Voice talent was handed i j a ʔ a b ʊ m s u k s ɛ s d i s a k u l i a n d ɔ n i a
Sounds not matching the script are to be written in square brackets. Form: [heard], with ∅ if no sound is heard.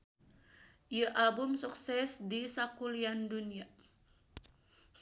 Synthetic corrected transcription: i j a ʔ a b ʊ m s u k s ɛ s d i s a k u l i a n d [u] n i a